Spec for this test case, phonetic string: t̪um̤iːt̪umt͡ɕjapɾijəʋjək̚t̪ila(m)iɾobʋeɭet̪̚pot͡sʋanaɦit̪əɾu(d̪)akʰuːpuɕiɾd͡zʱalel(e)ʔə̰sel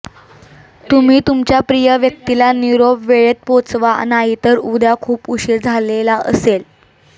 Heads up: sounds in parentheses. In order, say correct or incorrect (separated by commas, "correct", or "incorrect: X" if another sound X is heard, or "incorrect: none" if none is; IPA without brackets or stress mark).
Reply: incorrect: n, correct, incorrect: a